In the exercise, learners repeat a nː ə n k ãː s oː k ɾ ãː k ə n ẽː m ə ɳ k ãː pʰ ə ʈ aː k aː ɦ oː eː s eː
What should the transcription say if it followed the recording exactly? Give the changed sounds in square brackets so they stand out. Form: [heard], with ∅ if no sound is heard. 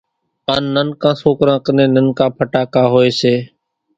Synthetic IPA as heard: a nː ə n k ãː s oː k ɾ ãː k ə n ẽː [n] ə [n] k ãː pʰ ə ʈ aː k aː ɦ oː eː s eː